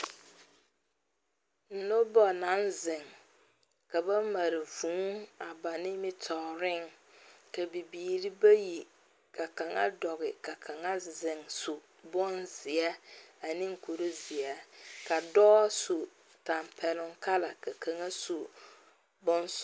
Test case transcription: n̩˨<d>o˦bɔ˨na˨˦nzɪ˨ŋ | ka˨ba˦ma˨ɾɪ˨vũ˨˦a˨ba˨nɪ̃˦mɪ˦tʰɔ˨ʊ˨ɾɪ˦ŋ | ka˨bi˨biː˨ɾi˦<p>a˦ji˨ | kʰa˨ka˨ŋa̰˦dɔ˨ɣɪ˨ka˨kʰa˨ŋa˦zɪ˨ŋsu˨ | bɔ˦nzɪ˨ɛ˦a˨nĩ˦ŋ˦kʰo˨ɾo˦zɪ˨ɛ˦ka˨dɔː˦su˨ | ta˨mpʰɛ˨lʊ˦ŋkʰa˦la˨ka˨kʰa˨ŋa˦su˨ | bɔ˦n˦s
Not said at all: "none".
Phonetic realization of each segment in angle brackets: n, b

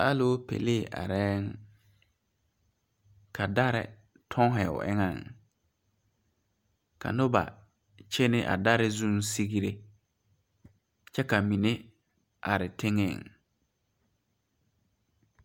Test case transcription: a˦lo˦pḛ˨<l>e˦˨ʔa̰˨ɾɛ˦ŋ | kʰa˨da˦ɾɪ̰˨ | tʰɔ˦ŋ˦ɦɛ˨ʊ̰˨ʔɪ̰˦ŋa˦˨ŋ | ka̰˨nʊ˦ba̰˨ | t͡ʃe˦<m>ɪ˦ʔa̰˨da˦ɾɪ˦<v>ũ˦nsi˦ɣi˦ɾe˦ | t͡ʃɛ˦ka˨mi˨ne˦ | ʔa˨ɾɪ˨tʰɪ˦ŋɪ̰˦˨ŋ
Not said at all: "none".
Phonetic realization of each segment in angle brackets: l, n, z

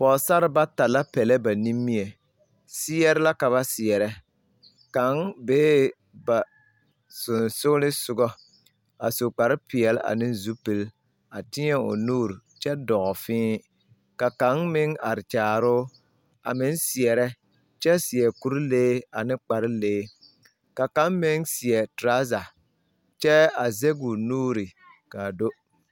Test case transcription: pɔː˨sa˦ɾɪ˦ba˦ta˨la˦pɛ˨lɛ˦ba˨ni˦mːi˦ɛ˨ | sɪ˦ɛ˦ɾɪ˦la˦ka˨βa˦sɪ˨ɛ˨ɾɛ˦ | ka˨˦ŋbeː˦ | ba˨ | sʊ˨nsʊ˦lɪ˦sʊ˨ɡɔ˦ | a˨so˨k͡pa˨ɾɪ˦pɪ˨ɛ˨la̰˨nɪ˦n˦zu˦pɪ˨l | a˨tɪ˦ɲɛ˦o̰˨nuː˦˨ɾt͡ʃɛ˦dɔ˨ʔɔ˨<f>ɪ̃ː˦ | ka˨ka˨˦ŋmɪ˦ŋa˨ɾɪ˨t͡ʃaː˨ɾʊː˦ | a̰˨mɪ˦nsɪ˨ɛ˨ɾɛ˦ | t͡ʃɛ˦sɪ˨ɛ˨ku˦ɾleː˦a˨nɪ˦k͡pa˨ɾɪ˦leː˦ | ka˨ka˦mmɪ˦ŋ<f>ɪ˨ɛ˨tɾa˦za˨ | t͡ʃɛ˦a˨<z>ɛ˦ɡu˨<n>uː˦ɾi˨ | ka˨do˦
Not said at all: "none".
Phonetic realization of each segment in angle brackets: f, s, z, n

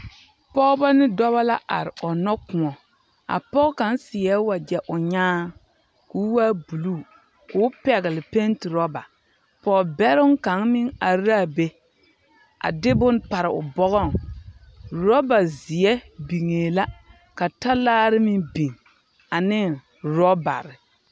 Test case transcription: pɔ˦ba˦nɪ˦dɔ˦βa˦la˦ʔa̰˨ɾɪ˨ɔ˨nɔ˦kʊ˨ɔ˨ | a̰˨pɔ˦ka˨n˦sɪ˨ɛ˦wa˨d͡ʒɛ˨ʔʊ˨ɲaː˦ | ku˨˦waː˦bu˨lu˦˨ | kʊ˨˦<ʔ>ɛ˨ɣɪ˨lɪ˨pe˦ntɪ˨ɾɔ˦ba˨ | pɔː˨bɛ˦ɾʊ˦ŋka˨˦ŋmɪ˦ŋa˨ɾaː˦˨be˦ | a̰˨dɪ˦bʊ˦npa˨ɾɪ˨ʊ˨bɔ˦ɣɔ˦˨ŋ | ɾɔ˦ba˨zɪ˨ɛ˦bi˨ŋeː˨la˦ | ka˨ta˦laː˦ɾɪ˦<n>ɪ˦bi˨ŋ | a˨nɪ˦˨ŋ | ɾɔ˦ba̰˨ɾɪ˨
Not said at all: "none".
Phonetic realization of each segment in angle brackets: p, m

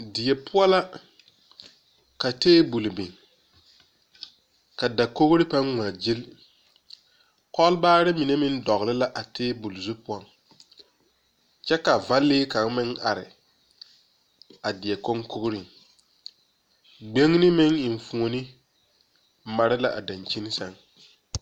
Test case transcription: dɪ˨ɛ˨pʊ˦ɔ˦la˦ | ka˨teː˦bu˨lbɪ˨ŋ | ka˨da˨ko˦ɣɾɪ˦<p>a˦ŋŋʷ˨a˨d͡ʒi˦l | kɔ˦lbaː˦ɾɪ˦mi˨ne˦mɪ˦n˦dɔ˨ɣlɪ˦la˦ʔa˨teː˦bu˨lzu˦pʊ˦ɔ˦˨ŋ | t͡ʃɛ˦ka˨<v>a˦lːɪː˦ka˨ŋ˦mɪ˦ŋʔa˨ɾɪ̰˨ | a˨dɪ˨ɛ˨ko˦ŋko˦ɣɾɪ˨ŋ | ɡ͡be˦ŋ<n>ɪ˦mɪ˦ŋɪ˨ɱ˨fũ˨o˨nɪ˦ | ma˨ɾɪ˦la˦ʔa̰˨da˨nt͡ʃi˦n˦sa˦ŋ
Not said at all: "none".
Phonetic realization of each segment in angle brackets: p, v, n

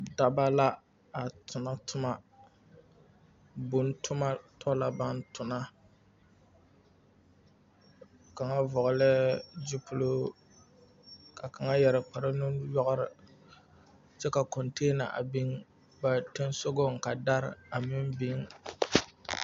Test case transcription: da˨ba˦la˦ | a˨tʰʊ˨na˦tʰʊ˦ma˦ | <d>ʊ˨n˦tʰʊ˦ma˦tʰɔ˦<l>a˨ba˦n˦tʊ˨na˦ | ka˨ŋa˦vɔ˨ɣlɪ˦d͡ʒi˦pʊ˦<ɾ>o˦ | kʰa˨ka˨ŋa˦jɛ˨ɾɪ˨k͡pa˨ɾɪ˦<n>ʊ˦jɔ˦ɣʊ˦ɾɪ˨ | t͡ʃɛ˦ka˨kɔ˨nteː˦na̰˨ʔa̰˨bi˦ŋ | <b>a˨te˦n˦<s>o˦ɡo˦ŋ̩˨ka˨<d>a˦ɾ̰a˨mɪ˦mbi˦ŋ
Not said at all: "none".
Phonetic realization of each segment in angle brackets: b, l, l, n, b, s, d

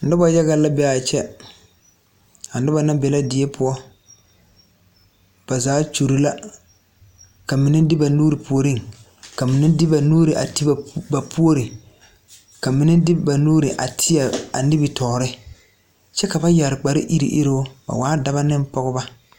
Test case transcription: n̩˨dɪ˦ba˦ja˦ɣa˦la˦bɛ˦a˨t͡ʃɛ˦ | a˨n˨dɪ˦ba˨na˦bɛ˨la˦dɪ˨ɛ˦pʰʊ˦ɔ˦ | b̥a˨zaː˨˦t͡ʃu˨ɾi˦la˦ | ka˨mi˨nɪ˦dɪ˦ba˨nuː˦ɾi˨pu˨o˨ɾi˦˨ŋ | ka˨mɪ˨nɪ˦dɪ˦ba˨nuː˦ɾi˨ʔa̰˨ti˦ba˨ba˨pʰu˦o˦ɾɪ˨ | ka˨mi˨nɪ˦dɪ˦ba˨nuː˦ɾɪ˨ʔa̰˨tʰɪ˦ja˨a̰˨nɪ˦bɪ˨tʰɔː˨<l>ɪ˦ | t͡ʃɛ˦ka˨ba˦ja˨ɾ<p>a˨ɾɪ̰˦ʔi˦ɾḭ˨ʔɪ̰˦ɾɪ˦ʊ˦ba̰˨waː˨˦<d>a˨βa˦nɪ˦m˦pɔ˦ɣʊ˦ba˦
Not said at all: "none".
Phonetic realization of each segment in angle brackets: ɾ, k͡p, d

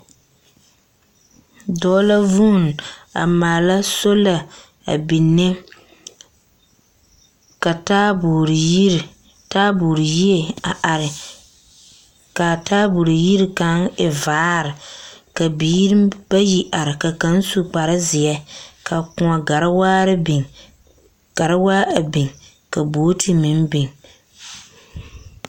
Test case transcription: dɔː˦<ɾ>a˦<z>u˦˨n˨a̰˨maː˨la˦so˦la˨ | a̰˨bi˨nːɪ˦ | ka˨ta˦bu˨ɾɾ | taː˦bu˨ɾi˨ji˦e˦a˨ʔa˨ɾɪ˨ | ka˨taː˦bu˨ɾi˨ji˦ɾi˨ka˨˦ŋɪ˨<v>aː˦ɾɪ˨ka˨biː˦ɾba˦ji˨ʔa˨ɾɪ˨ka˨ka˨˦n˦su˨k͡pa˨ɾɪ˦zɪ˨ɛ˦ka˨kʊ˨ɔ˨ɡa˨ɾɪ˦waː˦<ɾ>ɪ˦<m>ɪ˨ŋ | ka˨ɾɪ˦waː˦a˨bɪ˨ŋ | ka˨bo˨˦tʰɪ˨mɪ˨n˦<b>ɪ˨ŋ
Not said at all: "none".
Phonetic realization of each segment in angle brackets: l, v, v, ɾ, b, b

